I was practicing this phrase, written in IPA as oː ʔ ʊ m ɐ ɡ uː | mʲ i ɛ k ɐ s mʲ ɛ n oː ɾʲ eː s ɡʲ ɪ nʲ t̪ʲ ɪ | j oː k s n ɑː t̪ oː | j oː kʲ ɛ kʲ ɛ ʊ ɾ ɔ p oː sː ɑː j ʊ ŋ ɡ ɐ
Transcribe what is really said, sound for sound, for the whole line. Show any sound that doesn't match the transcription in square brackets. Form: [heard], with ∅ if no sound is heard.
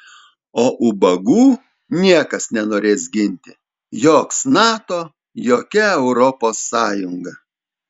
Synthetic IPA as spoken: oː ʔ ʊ [b] ɐ ɡ uː | [nʲ] i ɛ k ɐ s [nʲ] ɛ n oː ɾʲ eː s ɡʲ ɪ nʲ t̪ʲ ɪ | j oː k s n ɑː t̪ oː | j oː kʲ ɛ [∅] ɛ ʊ ɾ ɔ p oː sː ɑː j ʊ ŋ ɡ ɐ